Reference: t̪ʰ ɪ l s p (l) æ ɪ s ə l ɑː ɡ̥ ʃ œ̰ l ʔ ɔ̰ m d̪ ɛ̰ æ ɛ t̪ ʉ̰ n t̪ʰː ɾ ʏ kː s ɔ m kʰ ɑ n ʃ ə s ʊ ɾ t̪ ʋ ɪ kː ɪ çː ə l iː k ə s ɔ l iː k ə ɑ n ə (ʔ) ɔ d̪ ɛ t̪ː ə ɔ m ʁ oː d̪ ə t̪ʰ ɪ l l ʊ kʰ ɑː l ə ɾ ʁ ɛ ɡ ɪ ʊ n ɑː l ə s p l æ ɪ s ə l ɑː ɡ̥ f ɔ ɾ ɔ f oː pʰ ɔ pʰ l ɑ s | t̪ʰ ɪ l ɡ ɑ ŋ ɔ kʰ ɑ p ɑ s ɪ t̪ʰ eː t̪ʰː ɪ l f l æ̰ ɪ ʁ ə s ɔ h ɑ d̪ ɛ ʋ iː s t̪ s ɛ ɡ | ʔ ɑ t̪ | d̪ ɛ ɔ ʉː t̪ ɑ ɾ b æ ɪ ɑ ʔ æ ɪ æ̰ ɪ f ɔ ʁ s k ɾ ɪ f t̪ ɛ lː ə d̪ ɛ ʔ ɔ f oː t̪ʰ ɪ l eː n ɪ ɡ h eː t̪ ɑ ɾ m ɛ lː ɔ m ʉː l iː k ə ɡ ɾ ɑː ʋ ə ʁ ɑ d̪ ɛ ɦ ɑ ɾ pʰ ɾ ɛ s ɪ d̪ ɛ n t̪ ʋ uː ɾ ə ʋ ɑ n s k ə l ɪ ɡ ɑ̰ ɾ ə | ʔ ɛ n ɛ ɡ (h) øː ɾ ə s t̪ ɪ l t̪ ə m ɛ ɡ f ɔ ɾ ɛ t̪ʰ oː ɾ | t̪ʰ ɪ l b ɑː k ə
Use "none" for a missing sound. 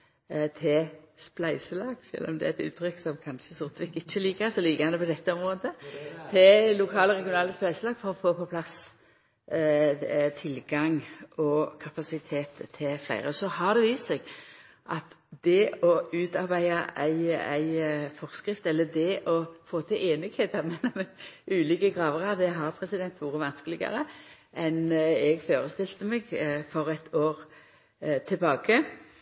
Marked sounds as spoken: l, p, f

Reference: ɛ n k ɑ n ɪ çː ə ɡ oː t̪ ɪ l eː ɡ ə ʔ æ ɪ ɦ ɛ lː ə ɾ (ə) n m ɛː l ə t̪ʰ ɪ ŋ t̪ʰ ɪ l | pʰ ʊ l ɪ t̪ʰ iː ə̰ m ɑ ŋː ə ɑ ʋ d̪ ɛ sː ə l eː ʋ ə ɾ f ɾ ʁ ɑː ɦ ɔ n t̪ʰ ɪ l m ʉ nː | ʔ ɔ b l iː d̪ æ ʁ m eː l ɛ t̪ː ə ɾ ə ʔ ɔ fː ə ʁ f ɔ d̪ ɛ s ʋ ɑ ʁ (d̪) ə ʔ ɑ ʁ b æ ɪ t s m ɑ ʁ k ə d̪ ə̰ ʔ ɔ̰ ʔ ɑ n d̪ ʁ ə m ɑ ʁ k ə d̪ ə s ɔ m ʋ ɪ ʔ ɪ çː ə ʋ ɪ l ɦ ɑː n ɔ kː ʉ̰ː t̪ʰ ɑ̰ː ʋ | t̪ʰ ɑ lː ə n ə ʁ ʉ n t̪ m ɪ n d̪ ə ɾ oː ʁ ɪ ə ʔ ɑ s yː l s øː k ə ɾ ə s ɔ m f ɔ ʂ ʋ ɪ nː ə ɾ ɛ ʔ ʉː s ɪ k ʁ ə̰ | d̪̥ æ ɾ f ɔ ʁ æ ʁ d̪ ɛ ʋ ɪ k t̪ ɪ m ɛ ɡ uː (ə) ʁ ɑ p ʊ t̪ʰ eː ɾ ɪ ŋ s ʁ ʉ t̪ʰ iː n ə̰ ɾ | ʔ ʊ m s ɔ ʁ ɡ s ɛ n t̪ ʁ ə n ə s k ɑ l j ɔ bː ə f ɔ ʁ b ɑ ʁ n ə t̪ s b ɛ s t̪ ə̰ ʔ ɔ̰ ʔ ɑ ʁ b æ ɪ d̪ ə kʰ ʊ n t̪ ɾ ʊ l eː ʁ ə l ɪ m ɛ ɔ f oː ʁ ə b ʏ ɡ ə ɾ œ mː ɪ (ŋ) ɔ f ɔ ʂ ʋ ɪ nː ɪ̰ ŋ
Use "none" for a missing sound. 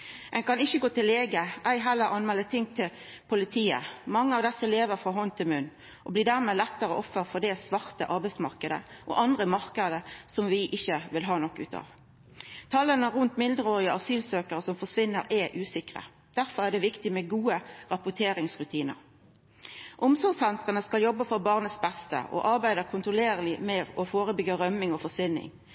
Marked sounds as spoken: ɑ, t̪, ə, ŋ

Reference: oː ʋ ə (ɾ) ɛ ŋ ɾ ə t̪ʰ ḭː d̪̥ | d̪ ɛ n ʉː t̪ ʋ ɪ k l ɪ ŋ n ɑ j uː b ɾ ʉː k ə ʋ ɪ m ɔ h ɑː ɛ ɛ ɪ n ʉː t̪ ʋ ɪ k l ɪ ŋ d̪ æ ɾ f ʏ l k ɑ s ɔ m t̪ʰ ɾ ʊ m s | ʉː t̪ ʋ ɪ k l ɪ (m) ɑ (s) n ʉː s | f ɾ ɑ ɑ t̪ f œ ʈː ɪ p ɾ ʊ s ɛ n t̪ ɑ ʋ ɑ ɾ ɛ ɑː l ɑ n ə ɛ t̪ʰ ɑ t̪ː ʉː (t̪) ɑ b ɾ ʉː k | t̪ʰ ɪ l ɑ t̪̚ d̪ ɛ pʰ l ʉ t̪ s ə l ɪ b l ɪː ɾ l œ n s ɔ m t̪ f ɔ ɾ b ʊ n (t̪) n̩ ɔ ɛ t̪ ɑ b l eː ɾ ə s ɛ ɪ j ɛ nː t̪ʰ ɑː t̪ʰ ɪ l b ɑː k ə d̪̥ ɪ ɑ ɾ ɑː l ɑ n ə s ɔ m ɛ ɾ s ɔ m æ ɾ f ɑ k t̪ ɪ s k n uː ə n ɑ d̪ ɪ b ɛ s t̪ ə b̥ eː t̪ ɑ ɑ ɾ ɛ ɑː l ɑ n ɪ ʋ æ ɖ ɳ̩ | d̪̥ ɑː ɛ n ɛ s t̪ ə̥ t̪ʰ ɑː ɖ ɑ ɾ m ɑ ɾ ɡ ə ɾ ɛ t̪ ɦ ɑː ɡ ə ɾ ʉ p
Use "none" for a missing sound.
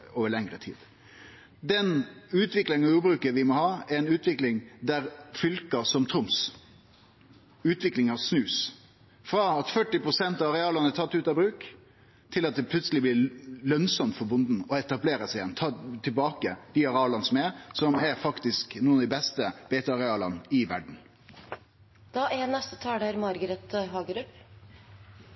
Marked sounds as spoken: ɭ, ŋ, s, t̪, d̪

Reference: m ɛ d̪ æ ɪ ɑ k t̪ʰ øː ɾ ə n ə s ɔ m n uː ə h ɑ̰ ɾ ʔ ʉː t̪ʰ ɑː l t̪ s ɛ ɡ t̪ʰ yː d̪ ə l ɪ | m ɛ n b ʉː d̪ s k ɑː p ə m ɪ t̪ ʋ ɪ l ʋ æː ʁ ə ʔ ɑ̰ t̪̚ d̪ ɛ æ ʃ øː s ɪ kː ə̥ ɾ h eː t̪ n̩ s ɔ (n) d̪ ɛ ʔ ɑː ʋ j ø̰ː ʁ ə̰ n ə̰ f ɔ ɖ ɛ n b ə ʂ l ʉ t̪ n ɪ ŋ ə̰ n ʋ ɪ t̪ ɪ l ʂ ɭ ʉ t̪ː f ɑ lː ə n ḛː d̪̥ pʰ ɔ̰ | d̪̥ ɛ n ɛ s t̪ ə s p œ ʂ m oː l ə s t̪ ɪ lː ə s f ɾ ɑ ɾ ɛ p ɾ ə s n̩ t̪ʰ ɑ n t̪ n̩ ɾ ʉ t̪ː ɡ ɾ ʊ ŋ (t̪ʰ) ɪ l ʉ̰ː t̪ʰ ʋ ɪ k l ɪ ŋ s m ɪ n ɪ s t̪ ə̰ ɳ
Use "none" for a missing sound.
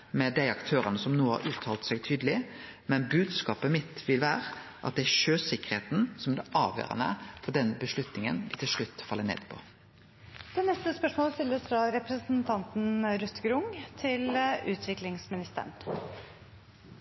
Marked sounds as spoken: m, t̪ʰ

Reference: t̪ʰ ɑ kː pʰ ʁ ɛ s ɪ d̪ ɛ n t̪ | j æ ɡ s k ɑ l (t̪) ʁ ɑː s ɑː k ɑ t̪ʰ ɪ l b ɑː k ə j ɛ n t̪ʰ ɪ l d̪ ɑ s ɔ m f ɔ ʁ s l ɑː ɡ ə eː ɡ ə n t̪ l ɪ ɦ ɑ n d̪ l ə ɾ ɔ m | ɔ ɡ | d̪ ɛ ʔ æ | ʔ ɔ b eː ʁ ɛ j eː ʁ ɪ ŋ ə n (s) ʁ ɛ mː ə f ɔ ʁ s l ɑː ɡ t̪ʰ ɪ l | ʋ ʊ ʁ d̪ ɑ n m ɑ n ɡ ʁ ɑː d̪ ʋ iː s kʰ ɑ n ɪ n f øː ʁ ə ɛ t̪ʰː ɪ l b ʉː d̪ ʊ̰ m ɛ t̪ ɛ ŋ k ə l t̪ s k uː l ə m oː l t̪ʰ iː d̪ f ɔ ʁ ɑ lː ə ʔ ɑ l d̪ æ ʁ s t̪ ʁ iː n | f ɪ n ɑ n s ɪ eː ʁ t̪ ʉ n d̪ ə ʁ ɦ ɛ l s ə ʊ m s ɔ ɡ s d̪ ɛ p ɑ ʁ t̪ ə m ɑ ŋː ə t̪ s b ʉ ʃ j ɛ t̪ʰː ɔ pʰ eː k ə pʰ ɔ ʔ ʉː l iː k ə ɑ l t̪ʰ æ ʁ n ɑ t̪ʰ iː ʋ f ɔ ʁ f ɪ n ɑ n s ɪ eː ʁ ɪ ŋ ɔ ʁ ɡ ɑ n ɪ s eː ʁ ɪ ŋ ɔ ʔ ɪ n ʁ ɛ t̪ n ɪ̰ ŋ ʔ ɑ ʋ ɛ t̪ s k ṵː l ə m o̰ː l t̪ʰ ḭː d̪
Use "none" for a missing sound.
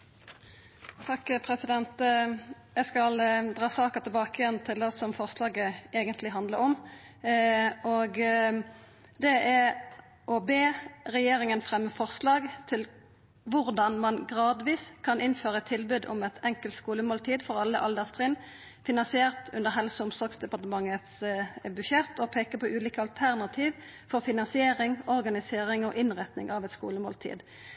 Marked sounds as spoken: d̪, f

